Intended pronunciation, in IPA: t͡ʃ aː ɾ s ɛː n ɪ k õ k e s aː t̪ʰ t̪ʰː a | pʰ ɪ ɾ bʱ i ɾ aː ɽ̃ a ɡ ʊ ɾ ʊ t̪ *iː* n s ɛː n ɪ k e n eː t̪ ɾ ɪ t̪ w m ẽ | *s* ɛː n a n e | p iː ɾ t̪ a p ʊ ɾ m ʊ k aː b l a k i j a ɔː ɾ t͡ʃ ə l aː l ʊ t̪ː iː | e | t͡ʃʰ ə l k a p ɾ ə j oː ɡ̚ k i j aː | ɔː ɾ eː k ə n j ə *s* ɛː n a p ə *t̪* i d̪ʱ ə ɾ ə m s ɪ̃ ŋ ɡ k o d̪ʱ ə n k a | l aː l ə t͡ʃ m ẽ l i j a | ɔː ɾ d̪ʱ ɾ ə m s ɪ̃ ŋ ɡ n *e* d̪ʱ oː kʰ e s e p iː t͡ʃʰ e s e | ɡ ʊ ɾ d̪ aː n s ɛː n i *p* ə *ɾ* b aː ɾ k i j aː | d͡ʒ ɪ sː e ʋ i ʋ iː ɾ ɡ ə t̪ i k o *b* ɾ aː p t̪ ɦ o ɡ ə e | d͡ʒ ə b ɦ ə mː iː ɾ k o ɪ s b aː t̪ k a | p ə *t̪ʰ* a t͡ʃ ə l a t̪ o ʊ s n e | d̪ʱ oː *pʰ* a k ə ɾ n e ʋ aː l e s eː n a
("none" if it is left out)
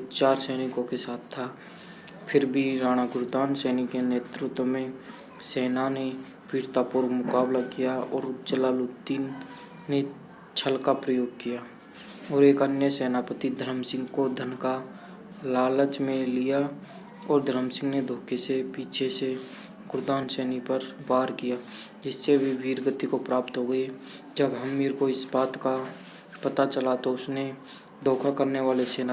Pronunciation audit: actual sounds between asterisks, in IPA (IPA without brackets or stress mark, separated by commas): aː, s, s, t̪, e, p, ɾ, p, t̪, kʰ